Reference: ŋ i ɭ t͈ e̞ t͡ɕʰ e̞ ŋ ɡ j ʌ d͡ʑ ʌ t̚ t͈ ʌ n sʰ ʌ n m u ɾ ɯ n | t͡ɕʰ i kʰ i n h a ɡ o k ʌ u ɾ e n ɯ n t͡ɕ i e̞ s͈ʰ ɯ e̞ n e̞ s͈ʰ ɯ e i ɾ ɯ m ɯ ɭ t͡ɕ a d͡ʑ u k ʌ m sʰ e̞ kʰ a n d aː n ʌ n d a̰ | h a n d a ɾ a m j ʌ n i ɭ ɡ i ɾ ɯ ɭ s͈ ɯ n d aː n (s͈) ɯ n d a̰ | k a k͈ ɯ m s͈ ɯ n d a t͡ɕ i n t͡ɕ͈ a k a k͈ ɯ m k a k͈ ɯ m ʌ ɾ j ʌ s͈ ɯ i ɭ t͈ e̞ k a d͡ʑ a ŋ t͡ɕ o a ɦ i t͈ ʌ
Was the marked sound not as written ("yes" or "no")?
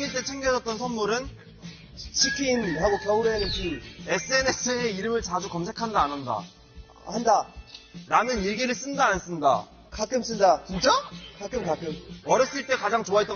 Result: no